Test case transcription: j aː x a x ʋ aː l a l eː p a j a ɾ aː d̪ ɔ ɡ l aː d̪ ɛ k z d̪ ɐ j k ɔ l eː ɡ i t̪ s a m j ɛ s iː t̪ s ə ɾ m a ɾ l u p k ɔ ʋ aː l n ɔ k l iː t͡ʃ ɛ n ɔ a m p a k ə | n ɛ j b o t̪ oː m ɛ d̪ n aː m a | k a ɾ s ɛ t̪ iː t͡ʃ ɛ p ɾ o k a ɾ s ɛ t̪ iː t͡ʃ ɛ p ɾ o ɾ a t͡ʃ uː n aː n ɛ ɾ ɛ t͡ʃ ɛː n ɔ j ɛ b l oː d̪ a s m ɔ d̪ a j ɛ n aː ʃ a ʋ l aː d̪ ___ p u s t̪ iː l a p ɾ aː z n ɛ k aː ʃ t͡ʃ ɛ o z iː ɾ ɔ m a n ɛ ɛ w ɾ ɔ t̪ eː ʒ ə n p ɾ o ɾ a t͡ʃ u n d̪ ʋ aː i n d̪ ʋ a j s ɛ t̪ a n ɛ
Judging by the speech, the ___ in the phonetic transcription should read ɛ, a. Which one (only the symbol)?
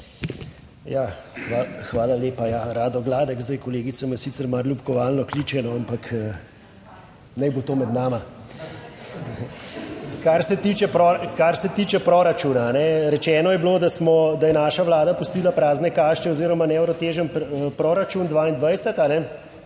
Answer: a